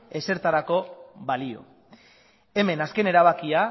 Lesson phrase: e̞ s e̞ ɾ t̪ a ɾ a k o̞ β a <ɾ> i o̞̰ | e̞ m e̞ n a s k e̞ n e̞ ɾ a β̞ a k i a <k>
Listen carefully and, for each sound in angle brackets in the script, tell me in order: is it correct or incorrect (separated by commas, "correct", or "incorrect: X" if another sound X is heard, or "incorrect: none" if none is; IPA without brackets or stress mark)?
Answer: incorrect: l, incorrect: none